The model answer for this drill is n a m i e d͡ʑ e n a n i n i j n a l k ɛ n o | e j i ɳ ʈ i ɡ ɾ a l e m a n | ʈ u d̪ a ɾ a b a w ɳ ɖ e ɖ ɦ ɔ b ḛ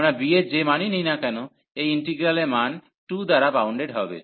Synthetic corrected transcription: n a b i e d͡ʑ e m a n i n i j n a k ɛ n o | e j i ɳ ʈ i ɡ ɾ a l e m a n | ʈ u d̪ a ɾ a b a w ɳ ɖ e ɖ ɦ ɔ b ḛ